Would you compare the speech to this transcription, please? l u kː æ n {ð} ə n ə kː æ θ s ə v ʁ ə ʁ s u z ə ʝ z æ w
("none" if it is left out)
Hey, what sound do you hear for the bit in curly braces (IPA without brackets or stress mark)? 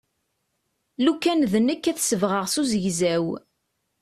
ð